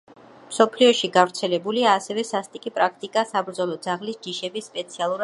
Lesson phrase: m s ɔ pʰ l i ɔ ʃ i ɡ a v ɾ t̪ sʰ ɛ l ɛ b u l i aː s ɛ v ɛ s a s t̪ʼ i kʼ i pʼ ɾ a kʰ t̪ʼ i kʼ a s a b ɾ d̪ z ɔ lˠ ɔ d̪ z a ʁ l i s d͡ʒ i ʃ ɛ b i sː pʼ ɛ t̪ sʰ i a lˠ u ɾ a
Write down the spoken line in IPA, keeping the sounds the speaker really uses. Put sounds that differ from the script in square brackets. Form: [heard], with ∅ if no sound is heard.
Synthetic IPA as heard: m s ɔ pʰ l i ɔ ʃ i ɡ a v ɾ t̪ sʰ ɛ l ɛ b u l i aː s ɛ v ɛ s a s t̪ʼ i kʼ i pʼ ɾ a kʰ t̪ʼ i kʼ a s a b ɾ d̪ z ɔ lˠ ɔ d̪ z a ʁ l i s d͡ʒ i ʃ ɛ b i sː pʼ ɛ t̪ sʰ i a lˠ u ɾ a

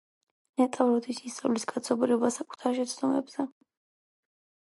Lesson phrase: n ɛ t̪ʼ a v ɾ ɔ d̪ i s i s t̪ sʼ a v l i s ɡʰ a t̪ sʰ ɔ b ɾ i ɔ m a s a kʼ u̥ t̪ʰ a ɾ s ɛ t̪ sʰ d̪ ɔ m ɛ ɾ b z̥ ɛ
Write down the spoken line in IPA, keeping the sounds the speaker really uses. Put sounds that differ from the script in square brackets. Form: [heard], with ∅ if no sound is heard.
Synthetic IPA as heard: n ɛ t̪ʼ a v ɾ ɔ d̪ i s i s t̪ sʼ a v l i s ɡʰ a t̪ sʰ ɔ b ɾ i ɔ [b] a s a kʼ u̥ t̪ʰ a ɾ [ʃ] ɛ t̪ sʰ d̪ ɔ m ɛ [∅] b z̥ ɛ

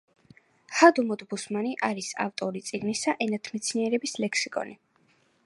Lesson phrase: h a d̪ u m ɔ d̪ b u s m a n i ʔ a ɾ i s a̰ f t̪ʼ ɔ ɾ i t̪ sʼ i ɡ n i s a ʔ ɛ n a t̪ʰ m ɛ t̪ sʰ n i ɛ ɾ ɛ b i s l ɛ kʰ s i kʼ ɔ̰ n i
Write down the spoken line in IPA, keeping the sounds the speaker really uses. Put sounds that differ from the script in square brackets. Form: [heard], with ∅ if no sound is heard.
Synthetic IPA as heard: h a d̪ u m ɔ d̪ b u s m a n i ʔ a ɾ i s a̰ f t̪ʼ ɔ ɾ i t̪ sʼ i ɡ n i s a ʔ ɛ n a t̪ʰ m ɛ t̪ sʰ n i ɛ ɾ ɛ b i s l ɛ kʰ s i kʼ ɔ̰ n i

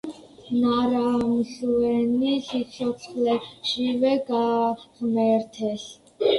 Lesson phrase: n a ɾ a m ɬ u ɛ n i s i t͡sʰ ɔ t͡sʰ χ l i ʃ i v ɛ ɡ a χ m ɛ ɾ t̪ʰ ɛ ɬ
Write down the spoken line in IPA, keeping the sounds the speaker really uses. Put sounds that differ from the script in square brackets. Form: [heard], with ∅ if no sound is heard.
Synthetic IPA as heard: n a ɾ a m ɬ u ɛ n i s i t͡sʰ ɔ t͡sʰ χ l [ɛ] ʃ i v ɛ ɡ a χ m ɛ ɾ t̪ʰ ɛ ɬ

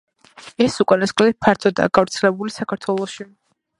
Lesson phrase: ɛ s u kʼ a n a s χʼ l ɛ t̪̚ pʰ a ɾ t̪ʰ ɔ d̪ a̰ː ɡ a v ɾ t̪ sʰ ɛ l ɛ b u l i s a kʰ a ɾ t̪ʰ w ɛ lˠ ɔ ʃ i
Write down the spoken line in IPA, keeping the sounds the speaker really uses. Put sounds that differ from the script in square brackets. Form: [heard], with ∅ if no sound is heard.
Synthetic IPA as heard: ɛ s u kʼ a n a s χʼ l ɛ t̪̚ pʰ a ɾ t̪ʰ ɔ d̪ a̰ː ɡ a v ɾ t̪ sʰ ɛ l ɛ b u l i s a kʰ a ɾ t̪ʰ w ɛ lˠ ɔ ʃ i

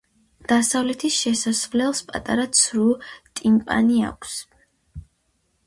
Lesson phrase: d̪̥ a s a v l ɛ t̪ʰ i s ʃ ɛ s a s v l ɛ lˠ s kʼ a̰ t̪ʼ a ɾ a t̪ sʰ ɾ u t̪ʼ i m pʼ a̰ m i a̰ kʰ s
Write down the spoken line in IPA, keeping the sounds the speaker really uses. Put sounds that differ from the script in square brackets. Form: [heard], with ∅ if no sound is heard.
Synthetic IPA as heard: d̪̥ a s a v l ɛ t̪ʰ i s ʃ ɛ s a s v l ɛ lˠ s [pʼ] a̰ t̪ʼ a ɾ a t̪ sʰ ɾ u t̪ʼ i m pʼ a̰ [n] i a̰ kʰ s

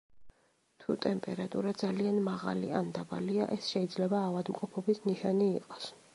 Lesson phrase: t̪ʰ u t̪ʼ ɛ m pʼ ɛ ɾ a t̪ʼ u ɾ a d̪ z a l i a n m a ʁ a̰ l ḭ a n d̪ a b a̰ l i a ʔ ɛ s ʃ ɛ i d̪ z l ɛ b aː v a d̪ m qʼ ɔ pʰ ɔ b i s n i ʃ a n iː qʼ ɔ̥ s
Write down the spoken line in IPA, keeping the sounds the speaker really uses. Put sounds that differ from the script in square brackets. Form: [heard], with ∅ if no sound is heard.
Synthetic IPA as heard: t̪ʰ u t̪ʼ ɛ m pʼ ɛ ɾ a t̪ʼ u ɾ a d̪ z a l i a n m a ʁ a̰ l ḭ a n d̪ a b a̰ l i a ʔ ɛ s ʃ ɛ i d̪ z l ɛ b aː v a d̪ m qʼ ɔ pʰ ɔ b i s n i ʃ a n iː qʼ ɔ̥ s

